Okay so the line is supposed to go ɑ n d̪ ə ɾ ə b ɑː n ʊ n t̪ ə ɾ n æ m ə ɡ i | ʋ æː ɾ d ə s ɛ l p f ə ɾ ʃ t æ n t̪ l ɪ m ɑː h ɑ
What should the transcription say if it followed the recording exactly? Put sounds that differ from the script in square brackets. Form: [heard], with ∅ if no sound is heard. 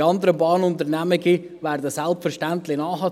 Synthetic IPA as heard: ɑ n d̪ ə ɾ ə b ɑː n ʊ n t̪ ə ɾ n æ m ə ɡ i | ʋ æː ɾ d ə s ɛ l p f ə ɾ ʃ t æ n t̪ l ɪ [n] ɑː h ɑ